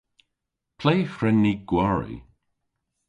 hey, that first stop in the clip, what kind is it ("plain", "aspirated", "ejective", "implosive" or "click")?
aspirated